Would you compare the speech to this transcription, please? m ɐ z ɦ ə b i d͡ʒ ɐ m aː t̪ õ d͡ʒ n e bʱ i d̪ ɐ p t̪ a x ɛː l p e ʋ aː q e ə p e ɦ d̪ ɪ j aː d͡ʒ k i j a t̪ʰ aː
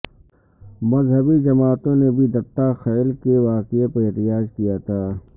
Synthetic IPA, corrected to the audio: m ɐ z ɦ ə b i d͡ʒ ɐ m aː t̪ õ n e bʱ i d̪ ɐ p t̪ a x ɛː l k e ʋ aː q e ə p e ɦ t̪ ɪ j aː d͡ʒ k i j a t̪ʰ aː

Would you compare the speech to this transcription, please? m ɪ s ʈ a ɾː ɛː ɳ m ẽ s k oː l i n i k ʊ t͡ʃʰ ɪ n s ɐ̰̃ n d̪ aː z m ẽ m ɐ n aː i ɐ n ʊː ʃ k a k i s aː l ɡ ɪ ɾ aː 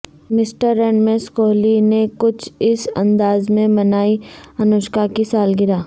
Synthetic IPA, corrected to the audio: m ɪ s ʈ ə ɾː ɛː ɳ m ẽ s k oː l i n e k ʊ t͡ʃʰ ɪ s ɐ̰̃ n d̪ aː z m ẽ m ɐ n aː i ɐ n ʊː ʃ k a k i s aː l ɡ ɪ ɾ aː

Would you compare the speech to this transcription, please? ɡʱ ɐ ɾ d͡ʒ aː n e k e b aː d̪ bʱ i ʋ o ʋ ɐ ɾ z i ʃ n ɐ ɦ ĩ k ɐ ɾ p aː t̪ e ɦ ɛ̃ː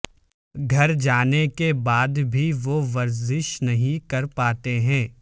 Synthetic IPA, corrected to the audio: ɡʱ ɐ ɾ d͡ʒ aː n e k e b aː d̪ bʱ i ʋ o ʋ ɐ ɾ z ɪ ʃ n ɐ ɦ ĩ k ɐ ɾ p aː t̪ e ɦ ɛ̃ː

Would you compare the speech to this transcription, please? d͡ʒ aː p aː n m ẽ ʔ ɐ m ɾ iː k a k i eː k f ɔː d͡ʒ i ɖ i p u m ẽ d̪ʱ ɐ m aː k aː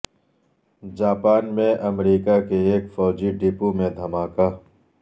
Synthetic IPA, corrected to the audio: d͡ʒ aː p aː n m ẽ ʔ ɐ m ɾ iː k a k e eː k f ɔː d͡ʒ i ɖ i p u m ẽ d̪ʱ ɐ m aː k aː

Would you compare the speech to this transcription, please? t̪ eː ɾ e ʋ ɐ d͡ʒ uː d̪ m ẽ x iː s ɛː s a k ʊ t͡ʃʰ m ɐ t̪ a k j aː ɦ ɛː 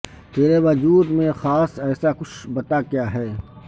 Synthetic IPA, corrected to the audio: t̪ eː ɾ e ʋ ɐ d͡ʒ uː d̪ m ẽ x aː s ɛː s a k ʊ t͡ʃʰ b ɐ t̪ a k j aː ɦ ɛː

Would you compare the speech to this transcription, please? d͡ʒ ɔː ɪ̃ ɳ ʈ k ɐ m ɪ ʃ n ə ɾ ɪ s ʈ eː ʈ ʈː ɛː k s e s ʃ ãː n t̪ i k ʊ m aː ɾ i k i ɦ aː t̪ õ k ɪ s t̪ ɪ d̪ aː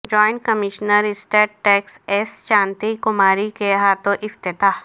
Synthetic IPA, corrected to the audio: d͡ʒ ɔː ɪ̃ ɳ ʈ k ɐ m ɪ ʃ n ə ɾ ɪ s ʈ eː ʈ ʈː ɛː k s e s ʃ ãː n t̪ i k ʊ m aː ɾ i k e ɦ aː t̪ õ ʔ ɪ f t̪ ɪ t̪ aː

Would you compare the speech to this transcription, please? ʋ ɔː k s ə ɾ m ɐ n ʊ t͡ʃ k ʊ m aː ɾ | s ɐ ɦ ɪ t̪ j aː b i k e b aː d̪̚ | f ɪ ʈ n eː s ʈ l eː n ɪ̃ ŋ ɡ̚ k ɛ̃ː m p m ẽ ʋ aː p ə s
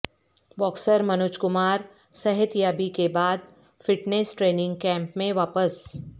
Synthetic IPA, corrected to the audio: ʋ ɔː k s ə ɾ m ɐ n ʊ t͡ʃ k ʊ m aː ɾ | s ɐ ɦ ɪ t̪ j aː b i k e b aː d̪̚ | f ɪ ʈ n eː s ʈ ɾ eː n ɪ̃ ŋ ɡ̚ k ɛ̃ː m p m ẽ ʋ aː p ə s

